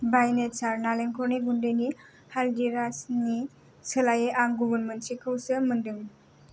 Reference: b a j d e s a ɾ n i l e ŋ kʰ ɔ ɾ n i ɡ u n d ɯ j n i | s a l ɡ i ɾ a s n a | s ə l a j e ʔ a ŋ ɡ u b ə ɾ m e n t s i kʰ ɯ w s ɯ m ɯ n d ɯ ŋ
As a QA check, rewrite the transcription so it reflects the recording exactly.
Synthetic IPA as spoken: b a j n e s a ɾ n a l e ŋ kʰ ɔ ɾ n i ɡ u n d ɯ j n i | h a l d i ɾ a s n i | s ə l a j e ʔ a ŋ ɡ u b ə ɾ m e n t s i kʰ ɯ w s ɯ m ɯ n d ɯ ŋ